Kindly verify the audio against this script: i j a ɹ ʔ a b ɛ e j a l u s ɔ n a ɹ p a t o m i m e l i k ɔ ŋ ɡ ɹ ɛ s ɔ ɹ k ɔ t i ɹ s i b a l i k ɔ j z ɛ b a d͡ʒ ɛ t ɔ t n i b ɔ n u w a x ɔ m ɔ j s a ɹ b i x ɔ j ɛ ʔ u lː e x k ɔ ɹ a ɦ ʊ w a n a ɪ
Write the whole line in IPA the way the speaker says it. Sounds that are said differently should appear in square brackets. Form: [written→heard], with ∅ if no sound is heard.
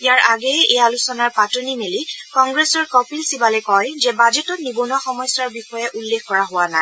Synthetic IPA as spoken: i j a ɹ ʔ a [b→ɡ] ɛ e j a l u s ɔ n a ɹ p a t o [m→n] i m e l i k ɔ ŋ ɡ ɹ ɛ s ɔ ɹ k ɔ [t→p] i [ɹ→l] s i b a l [i→ɛ] k ɔ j z ɛ b a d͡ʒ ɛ t ɔ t n i b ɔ n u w a x ɔ m ɔ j s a ɹ b i x ɔ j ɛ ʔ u lː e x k ɔ ɹ a ɦ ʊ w a n a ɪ